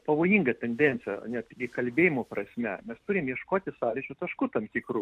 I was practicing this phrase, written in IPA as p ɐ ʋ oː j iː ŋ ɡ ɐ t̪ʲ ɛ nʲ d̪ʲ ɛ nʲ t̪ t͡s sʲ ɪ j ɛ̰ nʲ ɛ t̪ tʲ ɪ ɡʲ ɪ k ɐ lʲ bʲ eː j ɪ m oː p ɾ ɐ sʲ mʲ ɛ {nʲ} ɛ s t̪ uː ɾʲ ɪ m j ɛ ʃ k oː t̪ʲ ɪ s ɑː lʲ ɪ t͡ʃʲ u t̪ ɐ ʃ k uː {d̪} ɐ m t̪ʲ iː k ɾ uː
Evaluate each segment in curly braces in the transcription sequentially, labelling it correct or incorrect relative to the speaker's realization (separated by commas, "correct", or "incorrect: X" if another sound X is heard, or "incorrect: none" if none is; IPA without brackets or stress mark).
incorrect: mʲ, incorrect: t̪